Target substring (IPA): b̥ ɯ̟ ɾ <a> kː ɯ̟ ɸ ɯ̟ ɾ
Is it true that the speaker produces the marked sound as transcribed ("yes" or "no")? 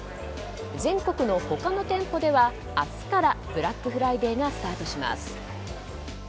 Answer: yes